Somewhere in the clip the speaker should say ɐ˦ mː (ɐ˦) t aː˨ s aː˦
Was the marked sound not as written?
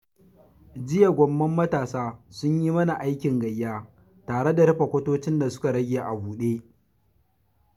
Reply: no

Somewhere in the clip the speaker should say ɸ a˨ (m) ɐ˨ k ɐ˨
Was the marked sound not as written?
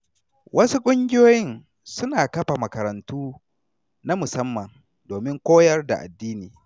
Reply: no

